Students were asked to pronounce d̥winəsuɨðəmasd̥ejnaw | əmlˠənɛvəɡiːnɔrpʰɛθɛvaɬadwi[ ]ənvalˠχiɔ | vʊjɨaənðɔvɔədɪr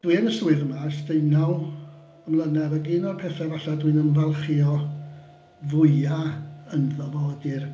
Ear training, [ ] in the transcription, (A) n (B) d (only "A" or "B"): A